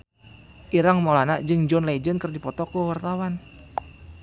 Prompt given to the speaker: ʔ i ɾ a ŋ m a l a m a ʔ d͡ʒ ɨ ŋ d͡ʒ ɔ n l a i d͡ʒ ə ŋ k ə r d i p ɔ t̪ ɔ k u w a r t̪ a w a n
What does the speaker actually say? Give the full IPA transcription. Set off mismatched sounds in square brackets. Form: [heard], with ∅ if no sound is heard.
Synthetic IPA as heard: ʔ i ɾ a ŋ m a l a [n] a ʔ d͡ʒ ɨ ŋ d͡ʒ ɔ n l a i d͡ʒ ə [n] k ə r d i p ɔ t̪ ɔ k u w a r t̪ a w a n